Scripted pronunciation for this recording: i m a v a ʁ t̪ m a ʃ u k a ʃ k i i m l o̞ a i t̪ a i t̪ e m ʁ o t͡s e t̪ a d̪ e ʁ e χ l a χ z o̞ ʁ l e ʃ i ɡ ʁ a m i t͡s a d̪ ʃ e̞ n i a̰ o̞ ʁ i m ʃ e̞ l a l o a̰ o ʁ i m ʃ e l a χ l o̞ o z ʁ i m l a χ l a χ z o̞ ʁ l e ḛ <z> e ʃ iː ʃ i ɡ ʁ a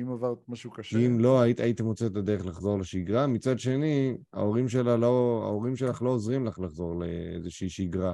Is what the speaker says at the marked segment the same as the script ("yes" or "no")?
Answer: yes